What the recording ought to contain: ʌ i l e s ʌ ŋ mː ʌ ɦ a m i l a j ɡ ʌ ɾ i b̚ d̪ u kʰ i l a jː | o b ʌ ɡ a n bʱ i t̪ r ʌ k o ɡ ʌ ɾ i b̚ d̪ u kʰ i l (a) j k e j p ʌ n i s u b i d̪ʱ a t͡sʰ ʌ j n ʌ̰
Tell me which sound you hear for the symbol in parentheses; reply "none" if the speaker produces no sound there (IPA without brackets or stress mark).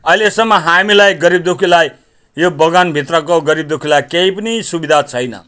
a